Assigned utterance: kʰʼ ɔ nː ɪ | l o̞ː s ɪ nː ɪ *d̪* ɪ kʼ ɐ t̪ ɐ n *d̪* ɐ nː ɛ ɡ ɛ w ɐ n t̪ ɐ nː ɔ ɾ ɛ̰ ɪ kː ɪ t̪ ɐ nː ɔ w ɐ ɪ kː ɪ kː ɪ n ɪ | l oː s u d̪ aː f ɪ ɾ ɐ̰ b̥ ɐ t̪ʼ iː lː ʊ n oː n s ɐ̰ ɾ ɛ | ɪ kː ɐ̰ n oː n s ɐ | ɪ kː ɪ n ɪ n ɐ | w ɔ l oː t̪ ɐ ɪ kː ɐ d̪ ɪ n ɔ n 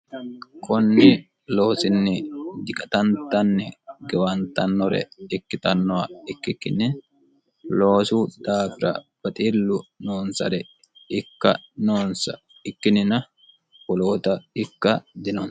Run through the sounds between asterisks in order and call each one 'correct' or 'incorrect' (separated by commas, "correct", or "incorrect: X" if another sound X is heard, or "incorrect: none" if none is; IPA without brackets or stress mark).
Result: correct, incorrect: t̪